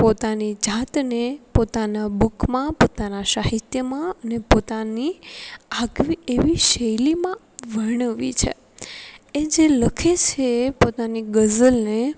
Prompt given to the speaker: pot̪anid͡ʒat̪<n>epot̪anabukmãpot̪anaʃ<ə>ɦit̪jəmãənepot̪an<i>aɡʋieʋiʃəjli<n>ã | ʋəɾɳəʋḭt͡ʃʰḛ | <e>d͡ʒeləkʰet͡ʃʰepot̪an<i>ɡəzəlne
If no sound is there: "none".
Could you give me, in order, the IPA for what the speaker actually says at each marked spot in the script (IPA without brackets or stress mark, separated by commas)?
n, a, i, m, e, i